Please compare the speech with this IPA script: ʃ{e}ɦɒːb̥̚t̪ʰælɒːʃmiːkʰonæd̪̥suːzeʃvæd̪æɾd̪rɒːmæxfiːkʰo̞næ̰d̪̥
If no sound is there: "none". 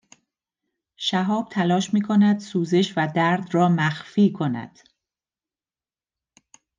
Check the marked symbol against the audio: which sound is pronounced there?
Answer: æ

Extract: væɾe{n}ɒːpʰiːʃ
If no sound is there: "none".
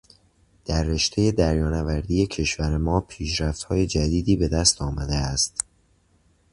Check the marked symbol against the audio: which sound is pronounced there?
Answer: m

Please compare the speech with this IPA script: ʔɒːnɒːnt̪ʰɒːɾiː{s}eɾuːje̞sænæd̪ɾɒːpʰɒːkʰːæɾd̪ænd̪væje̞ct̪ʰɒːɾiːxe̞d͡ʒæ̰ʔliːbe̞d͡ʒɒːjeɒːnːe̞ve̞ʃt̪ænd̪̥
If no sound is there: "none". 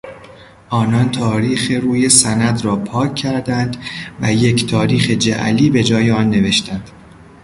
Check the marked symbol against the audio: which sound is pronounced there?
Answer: x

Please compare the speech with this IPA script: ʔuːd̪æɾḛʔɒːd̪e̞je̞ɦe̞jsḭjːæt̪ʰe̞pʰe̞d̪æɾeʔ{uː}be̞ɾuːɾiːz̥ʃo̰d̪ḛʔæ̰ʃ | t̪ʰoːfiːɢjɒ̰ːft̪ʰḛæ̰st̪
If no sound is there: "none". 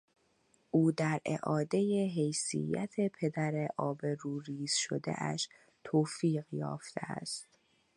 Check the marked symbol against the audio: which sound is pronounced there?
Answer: ɒː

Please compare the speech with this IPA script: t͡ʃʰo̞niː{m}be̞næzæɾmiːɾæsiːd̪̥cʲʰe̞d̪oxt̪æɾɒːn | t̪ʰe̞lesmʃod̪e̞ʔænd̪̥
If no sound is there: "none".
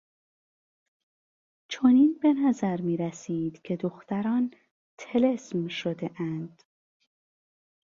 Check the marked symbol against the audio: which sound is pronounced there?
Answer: n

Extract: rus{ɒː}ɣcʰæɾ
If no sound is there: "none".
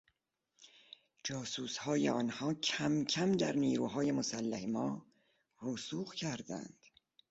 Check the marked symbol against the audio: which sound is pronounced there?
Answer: uː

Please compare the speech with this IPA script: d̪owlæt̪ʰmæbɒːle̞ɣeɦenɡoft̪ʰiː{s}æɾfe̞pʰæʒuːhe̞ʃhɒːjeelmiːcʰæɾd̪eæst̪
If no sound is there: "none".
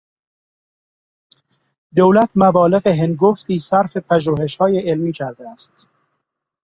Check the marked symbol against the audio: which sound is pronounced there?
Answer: s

